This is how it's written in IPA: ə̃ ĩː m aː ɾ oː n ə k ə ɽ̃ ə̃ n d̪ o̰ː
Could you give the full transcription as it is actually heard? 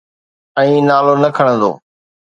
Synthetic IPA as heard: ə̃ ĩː n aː l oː n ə kʰ ə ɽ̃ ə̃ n d̪ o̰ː